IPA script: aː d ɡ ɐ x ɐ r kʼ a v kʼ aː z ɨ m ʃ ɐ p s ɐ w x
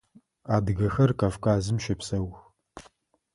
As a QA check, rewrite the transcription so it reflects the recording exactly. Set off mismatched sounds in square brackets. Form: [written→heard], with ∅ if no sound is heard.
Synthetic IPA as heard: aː d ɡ ɐ x ɐ r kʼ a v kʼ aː z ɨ m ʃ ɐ p s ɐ w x